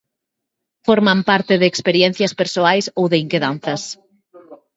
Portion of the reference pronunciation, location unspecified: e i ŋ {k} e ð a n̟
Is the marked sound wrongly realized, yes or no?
no